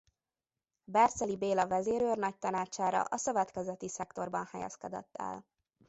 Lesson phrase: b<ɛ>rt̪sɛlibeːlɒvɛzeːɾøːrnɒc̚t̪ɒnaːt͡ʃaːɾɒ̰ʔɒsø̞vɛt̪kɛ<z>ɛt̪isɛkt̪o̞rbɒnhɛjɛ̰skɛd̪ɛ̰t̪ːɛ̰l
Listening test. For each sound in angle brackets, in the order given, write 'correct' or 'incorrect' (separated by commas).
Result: correct, correct